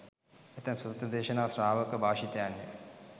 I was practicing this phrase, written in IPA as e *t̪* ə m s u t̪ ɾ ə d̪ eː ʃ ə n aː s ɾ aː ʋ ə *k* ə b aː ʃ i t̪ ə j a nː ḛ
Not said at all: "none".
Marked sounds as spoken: t̪, k

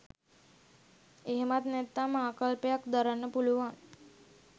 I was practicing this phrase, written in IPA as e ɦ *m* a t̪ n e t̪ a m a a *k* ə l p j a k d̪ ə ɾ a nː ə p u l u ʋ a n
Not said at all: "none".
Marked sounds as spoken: m, k

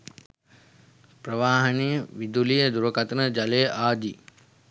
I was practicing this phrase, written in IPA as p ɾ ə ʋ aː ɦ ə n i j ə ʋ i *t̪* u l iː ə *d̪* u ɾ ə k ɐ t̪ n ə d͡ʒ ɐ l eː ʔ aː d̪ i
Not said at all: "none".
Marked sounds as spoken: d̪, d̪

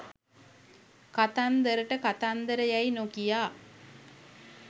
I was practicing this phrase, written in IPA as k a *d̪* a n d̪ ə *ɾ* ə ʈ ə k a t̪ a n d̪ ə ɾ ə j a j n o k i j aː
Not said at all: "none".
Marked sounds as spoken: t̪, ɾ

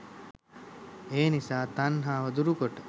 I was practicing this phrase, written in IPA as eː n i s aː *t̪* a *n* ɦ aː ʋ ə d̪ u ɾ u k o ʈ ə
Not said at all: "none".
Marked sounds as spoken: t̪, n

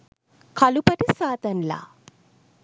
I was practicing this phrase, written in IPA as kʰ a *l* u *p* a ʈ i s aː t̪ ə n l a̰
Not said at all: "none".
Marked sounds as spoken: l, p

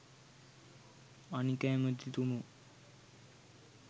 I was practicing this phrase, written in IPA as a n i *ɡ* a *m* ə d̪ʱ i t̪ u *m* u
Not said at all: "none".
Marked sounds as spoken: k, m, m

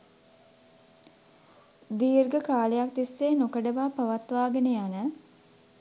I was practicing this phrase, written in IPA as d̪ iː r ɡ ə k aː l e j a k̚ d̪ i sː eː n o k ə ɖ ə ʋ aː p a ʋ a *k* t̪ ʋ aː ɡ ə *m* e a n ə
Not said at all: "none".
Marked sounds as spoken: none, n

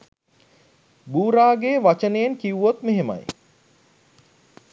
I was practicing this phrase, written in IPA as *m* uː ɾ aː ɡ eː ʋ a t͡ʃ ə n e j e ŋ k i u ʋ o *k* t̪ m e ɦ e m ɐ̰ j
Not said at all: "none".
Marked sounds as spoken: b, none

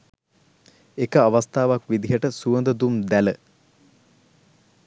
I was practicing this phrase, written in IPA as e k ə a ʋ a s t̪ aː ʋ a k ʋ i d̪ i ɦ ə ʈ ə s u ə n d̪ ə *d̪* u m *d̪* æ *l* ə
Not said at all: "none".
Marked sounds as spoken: d̪, d̪, l

